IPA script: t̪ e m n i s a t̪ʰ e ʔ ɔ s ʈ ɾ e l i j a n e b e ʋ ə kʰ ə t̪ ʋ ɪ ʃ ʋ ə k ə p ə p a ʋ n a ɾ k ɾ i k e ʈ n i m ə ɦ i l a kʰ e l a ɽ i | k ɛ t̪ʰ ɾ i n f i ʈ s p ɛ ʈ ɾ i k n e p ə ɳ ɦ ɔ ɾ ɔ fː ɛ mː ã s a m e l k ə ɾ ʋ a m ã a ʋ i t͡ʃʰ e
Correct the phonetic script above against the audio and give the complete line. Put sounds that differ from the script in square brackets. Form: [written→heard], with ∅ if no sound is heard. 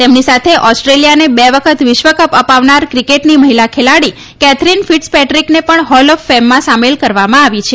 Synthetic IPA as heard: t̪ e m n i s a t̪ʰ e ʔ ɔ s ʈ ɾ e l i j a n e b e ʋ ə kʰ ə t̪ ʋ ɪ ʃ ʋ ə k ə p ə p a ʋ n a ɾ k ɾ i k e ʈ n i m ə ɦ i l a kʰ e l a ɽ i | k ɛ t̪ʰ ɾ i n f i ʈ s p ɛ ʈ ɾ i k n e p ə ɳ ɦ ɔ [ɾ→l] ɔ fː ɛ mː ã s a m e l k ə ɾ ʋ a m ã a ʋ i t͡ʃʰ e